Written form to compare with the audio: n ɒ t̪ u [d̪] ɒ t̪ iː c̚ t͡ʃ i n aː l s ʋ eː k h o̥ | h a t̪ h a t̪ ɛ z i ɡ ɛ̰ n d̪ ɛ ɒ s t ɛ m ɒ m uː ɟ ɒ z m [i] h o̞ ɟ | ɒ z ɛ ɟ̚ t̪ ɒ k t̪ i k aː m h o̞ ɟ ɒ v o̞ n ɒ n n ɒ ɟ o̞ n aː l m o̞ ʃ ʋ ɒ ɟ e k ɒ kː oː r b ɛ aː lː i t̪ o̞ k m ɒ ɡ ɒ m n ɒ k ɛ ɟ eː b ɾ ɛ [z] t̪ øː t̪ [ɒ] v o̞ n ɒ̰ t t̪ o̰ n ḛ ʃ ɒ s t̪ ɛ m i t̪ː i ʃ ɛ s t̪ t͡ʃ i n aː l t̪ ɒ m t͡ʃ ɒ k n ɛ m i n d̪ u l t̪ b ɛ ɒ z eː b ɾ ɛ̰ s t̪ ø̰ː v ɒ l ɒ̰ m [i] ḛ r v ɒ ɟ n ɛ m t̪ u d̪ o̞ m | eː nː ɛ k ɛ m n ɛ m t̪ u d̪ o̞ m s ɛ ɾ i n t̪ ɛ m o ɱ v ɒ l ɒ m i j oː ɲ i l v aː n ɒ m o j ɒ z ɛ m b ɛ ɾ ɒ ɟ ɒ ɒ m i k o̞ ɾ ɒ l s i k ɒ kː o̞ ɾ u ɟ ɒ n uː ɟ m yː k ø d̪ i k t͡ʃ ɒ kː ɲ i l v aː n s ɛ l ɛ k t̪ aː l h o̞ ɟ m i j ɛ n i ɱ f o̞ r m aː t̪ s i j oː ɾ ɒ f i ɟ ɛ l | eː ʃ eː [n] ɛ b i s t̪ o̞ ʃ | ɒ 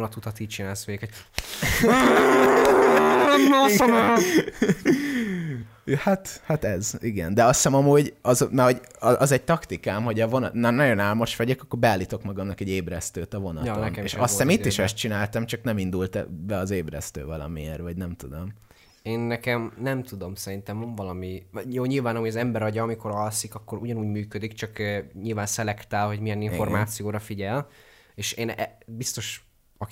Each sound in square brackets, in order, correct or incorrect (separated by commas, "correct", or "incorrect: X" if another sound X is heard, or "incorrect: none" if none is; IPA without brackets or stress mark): incorrect: t̪, incorrect: ɛ, incorrect: s, correct, correct, correct